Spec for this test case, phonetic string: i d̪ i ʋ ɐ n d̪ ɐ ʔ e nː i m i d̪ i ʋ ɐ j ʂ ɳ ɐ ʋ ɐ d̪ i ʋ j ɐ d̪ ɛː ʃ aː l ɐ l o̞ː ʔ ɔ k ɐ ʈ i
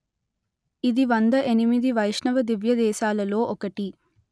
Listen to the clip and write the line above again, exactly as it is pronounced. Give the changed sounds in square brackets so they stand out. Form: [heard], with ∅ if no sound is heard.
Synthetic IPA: i d̪ i ʋ ɐ n d̪ ɐ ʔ e [n] i m i d̪ i ʋ ɐ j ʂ ɳ ɐ ʋ ɐ d̪ i ʋ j ɐ d̪ ɛː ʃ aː l ɐ l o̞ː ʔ ɔ k ɐ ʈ i